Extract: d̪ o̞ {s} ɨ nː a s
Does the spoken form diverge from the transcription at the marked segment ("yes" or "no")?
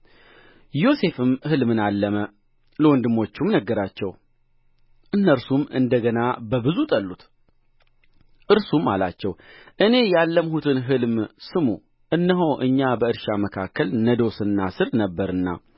no